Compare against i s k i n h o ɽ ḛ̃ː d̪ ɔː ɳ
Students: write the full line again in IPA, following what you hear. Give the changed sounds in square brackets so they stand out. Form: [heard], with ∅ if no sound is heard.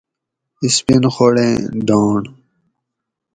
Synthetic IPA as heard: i s [p] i n [x] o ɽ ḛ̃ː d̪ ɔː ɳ